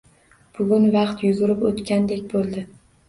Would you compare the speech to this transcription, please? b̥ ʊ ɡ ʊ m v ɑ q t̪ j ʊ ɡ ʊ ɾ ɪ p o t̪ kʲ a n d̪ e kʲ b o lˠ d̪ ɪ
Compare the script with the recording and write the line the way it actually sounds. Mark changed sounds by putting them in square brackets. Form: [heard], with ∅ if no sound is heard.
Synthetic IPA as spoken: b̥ ʊ ɡ ʊ [n] v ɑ q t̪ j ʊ ɡ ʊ ɾ ɪ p o t̪ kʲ a n d̪ e kʲ b o lˠ d̪ ɪ